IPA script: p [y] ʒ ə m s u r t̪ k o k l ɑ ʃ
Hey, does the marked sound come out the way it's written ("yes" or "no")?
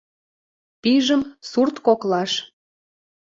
no